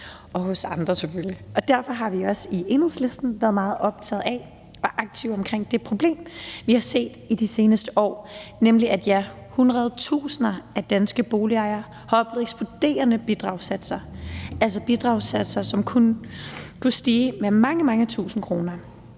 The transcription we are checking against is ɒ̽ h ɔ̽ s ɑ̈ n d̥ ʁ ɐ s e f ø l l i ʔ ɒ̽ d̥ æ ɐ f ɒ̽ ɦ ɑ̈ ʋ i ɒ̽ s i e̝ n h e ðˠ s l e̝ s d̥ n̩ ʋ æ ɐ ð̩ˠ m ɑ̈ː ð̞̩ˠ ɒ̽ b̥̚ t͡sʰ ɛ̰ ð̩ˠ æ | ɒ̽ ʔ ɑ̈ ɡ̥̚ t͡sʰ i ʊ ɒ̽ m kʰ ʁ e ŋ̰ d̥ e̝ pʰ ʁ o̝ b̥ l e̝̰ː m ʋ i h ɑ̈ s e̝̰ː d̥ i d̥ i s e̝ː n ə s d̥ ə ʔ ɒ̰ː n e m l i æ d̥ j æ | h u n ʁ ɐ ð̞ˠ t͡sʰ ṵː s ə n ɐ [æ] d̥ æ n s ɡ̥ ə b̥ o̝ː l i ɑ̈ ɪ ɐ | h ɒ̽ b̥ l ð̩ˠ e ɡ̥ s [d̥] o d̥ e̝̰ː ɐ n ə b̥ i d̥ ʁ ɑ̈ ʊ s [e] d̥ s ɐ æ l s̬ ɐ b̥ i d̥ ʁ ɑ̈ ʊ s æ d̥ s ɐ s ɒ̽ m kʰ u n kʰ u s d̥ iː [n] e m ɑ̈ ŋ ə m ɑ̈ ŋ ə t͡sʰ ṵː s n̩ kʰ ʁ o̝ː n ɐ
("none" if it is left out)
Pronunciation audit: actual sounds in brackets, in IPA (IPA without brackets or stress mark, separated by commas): æ, b̥, æ, m